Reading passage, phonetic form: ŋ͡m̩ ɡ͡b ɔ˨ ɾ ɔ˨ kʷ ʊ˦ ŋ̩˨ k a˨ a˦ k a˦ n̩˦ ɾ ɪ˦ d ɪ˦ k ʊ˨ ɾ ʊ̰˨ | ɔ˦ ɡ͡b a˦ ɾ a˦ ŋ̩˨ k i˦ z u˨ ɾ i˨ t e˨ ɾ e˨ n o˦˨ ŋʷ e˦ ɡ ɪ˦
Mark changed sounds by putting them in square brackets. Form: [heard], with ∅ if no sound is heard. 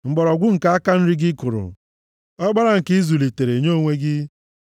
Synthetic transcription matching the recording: ŋ͡m̩ ɡ͡b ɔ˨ ɾ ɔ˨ [ɡʷ] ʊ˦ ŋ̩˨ k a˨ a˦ k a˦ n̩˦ ɾ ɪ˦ [ɡ] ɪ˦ k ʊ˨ ɾ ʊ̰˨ | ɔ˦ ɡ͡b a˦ ɾ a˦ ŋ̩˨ k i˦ z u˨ [l] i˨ t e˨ ɾ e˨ [ɲ] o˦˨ ŋʷ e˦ ɡ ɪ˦

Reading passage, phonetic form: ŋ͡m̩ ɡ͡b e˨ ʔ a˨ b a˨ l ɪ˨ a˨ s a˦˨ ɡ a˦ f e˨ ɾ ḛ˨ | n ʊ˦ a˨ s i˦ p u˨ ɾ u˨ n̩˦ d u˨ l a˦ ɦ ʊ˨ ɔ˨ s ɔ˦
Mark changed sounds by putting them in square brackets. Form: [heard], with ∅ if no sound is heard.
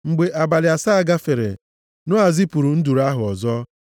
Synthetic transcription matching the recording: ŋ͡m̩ ɡ͡b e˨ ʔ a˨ b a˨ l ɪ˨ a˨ s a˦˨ ɡ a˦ f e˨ ɾ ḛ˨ | n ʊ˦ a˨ [z] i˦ p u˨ ɾ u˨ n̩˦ d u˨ [ɾ] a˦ ɦ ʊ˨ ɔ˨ [z] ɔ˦

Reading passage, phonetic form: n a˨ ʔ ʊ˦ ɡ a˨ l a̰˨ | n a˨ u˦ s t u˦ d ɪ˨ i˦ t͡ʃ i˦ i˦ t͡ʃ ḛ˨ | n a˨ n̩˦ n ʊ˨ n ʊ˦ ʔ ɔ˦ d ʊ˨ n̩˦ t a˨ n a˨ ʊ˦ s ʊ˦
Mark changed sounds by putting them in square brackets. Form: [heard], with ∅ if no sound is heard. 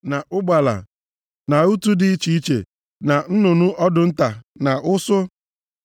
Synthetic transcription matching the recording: n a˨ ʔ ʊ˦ [ɡ͡b] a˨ l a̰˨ | n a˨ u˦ [∅] t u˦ d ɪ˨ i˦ t͡ʃ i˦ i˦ t͡ʃ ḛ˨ | n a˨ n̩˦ n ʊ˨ n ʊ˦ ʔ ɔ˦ d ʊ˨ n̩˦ t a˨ n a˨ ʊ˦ s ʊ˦

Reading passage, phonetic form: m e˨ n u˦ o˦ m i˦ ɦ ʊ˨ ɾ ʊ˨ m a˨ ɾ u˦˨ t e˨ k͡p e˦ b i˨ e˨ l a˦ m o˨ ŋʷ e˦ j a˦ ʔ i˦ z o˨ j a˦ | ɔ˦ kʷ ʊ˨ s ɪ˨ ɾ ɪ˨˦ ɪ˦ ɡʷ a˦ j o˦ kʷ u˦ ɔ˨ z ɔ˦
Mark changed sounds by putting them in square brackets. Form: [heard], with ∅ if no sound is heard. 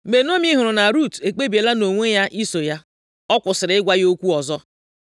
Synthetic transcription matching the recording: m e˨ n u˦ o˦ m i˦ ɦ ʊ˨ ɾ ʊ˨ [n] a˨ ɾ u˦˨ t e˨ k͡p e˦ b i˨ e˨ l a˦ [n] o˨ ŋʷ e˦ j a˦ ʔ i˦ [s] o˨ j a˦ | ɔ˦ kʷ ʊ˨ s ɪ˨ ɾ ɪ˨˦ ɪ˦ ɡʷ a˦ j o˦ kʷ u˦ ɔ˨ z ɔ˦

